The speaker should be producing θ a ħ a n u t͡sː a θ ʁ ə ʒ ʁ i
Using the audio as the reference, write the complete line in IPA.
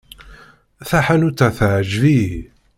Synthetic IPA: θ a ħ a n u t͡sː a θ ʕ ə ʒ v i